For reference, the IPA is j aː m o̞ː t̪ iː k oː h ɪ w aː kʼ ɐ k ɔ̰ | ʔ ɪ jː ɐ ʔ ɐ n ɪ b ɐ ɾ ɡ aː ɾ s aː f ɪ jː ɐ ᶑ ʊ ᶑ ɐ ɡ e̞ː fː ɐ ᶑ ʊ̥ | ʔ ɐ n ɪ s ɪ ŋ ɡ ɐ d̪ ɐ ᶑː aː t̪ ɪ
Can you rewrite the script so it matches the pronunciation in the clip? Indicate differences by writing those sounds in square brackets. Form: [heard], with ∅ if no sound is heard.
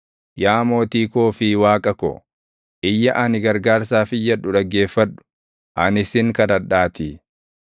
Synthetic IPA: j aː m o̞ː t̪ iː k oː [f] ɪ w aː kʼ ɐ k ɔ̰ | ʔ ɪ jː ɐ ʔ ɐ n ɪ [ɡ] ɐ ɾ ɡ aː ɾ s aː f ɪ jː ɐ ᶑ ʊ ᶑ ɐ ɡ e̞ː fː ɐ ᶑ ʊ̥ | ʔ ɐ n ɪ s ɪ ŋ [k] ɐ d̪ ɐ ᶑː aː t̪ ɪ